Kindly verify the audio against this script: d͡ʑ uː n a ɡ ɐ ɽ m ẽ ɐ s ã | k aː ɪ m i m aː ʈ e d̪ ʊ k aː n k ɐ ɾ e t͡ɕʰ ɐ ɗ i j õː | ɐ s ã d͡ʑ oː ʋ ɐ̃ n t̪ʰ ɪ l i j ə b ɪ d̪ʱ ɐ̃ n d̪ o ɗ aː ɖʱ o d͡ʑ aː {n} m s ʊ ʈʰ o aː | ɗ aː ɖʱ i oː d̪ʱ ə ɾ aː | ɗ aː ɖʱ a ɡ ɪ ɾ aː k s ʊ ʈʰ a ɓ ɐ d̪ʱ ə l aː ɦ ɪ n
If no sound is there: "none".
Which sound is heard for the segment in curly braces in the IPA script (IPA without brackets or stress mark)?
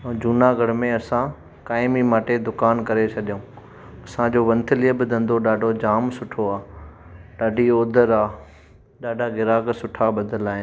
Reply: none